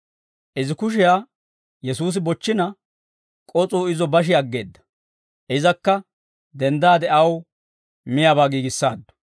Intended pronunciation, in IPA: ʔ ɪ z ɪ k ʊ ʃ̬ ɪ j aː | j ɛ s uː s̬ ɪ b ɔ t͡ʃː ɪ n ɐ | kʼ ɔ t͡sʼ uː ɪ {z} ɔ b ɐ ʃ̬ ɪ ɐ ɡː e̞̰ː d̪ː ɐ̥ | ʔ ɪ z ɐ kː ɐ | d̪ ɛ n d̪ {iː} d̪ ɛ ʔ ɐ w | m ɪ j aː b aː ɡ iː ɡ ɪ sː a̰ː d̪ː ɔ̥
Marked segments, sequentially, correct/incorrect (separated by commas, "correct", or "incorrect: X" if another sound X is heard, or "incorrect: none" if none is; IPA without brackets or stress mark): correct, incorrect: aː